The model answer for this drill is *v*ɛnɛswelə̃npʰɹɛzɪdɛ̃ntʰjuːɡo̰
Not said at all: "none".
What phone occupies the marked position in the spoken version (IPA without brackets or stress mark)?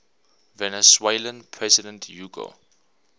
v